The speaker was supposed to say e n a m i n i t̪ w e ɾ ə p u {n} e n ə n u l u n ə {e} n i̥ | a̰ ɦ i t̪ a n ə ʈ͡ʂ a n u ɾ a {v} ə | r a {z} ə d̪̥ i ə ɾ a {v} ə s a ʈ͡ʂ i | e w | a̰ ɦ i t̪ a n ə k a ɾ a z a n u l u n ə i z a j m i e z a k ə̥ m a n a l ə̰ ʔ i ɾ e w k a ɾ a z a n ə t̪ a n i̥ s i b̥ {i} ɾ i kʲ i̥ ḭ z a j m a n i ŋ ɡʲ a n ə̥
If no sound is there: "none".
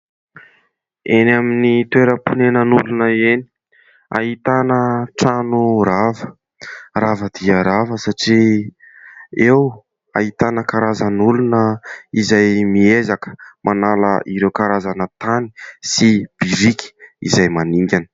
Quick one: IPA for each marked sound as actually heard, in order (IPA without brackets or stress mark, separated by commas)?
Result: n, e, v, v, v, i